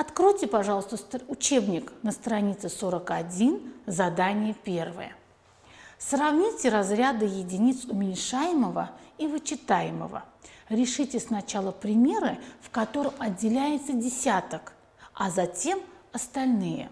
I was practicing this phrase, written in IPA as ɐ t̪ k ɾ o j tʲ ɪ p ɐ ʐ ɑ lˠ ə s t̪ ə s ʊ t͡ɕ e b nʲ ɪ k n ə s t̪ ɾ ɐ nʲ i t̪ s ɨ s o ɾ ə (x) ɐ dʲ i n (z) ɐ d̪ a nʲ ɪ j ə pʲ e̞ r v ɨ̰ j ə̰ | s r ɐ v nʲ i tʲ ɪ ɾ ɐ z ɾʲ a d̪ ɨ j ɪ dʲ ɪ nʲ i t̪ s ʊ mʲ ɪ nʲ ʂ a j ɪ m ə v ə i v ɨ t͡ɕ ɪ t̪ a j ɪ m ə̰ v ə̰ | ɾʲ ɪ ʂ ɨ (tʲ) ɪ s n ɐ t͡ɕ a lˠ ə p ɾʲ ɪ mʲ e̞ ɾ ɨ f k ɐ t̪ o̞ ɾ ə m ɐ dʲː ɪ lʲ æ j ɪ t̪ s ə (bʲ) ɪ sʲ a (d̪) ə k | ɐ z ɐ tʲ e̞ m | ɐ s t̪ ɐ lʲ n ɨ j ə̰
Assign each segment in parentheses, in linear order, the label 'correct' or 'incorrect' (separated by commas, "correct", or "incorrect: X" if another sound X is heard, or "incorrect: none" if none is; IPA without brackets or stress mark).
incorrect: k, correct, correct, incorrect: dʲ, incorrect: t̪